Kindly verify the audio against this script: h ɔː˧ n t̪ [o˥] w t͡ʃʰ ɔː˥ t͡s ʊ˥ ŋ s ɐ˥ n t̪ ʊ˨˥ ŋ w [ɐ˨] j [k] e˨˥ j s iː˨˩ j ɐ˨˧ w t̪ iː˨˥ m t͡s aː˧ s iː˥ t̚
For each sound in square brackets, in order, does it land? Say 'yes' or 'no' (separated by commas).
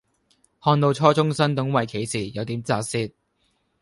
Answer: no, yes, no